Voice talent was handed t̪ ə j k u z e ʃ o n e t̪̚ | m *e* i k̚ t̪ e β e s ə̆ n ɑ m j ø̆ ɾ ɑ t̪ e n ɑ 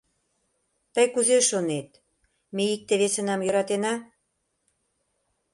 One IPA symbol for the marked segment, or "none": e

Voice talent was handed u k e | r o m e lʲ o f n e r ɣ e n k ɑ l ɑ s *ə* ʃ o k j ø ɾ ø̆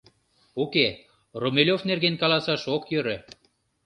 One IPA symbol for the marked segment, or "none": ɑ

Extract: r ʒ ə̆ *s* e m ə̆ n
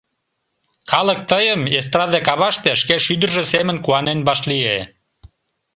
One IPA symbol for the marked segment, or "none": s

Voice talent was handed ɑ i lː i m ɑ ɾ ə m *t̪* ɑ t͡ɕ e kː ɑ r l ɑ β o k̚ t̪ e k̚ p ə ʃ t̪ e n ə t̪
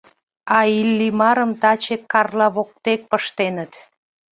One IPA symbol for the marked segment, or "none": t̪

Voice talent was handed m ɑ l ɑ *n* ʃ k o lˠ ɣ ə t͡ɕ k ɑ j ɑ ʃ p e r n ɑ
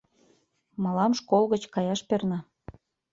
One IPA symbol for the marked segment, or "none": m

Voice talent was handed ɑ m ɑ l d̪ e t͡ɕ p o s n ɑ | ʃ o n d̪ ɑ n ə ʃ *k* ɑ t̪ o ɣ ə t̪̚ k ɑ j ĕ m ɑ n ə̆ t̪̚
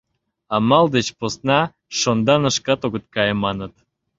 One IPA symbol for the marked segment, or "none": k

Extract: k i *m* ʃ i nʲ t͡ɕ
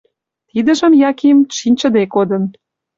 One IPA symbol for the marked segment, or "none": m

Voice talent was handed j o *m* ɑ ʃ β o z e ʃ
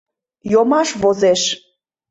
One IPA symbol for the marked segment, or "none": m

